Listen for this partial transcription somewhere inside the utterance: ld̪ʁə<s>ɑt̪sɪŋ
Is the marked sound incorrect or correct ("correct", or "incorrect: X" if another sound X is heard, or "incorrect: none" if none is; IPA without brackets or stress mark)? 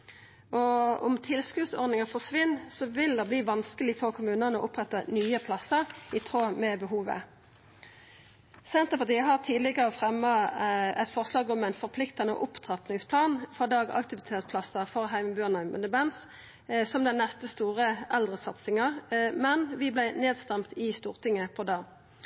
correct